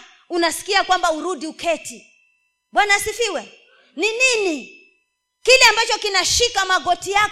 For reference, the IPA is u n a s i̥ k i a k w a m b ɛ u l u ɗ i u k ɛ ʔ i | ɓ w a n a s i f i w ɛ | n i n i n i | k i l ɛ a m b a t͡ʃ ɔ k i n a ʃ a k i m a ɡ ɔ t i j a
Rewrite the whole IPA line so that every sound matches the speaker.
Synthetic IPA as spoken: u n a s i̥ k i a k w a m b a u ɾ u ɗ i u k ɛ t i | ɓ w a n a s i f i w ɛ | n i n i n i | k i l ɛ a m b a t͡ʃ ɔ k i n a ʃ i k a m a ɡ ɔ t i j a